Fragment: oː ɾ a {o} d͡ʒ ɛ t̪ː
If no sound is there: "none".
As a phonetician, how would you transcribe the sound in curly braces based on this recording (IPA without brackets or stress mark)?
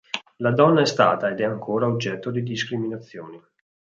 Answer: o